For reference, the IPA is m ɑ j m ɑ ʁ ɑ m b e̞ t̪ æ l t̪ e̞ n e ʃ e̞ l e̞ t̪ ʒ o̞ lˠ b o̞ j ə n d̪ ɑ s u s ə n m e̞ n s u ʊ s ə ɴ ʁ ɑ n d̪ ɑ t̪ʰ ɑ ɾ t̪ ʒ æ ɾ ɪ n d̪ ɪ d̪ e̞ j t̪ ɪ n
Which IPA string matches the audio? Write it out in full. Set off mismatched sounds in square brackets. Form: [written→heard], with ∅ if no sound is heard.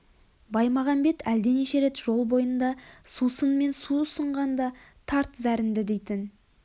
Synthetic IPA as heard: [m→b] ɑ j m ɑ ʁ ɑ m b e̞ t̪ æ l [t̪→d̪] e̞ n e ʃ e̞ [l→ɾ] e̞ t̪ ʒ o̞ lˠ b o̞ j ə n d̪ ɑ s u s ə n m e̞ n s u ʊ s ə ɴ ʁ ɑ n d̪ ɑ t̪ʰ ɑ ɾ t̪ [ʒ→z] æ ɾ ɪ n d̪ ɪ d̪ e̞ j t̪ ɪ n